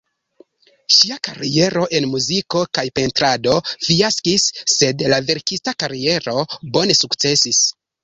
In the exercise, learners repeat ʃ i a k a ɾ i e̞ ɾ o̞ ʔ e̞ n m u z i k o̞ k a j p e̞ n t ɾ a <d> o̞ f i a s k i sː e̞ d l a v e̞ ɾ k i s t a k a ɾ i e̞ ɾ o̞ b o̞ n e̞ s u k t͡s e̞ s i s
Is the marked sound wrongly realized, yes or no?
no